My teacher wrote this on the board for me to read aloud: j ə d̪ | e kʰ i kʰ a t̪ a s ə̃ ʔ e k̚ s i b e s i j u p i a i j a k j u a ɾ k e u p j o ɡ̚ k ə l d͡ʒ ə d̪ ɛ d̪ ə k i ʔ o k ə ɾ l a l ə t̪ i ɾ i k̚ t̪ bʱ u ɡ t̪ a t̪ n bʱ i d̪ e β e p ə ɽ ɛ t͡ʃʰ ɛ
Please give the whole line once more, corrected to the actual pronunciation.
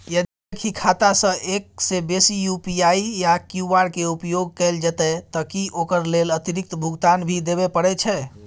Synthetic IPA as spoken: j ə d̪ | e kʰ i kʰ a t̪ a s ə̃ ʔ e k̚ s e b e s i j u p i a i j a k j u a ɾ k e u p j o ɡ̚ k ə l d͡ʒ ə t̪ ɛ t̪ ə k i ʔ o k ə ɾ l e l ə t̪ i ɾ i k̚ t̪ bʱ u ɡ t̪ a n bʱ i d̪ e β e p ə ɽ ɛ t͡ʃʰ ɛ